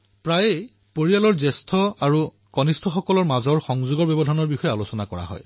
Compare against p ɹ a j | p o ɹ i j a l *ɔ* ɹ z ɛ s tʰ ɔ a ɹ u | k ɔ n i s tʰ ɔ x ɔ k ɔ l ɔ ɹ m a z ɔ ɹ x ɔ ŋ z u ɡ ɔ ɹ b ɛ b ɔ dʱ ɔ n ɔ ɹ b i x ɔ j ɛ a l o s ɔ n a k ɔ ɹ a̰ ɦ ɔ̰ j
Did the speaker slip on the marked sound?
no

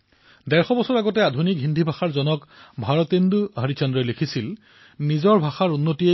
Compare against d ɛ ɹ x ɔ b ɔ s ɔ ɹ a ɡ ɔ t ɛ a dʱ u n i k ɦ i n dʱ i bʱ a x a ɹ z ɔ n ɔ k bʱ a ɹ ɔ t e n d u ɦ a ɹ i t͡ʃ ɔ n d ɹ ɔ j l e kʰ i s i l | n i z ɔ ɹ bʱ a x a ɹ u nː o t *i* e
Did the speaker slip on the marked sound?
no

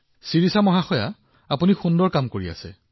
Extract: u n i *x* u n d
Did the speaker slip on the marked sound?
no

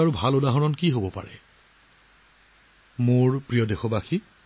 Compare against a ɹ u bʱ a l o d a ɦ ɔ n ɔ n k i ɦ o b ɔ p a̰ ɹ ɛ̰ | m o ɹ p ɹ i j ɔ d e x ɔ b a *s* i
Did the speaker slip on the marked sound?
yes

